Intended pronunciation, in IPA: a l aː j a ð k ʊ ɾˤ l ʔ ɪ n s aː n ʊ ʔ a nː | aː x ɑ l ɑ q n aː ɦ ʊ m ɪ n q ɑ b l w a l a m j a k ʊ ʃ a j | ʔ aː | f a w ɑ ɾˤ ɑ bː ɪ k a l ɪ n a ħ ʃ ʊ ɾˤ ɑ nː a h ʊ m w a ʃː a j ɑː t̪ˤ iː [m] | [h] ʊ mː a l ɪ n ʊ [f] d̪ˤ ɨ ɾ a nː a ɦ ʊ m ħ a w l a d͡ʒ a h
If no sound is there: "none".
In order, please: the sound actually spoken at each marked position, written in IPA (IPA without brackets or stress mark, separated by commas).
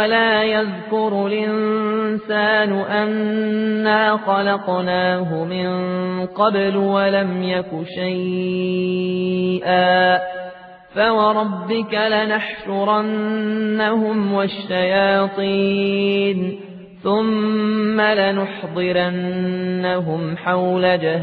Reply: n, θ, ħ